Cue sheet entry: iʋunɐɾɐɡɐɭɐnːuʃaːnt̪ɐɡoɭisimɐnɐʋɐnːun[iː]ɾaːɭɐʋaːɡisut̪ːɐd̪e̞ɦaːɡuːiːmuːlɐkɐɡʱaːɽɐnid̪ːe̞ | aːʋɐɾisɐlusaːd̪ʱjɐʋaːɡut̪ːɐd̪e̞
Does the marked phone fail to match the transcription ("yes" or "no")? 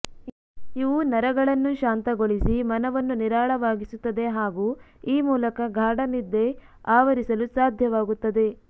yes